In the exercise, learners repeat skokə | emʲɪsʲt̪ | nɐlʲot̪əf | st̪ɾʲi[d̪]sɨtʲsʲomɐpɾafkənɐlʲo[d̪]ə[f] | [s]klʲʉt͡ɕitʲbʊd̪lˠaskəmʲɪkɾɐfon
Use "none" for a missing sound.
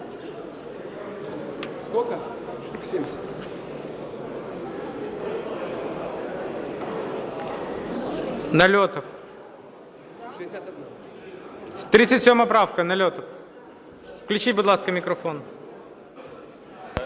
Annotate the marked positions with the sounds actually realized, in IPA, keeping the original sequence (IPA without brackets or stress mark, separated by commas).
t̪, t̪, f, f